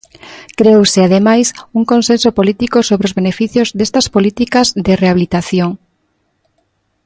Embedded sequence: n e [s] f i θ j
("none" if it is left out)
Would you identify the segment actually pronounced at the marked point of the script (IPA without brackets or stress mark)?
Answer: none